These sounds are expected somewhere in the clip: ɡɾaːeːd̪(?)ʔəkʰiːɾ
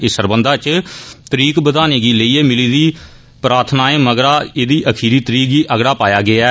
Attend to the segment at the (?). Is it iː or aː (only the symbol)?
iː